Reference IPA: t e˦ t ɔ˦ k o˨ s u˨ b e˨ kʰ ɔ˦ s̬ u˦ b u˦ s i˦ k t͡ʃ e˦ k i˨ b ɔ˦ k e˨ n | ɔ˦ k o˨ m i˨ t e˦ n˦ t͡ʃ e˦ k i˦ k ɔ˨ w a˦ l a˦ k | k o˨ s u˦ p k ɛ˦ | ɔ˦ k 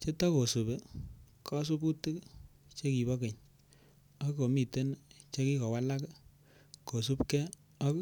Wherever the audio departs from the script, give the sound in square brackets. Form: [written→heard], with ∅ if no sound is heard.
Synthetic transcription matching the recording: [t→t͡ʃ] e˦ t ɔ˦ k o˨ s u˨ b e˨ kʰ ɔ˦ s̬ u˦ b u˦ [s→t] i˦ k t͡ʃ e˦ k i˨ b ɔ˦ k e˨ [n→ɲ] | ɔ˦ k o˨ m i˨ t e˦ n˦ t͡ʃ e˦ k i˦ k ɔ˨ w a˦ l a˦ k | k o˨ s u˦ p k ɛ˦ | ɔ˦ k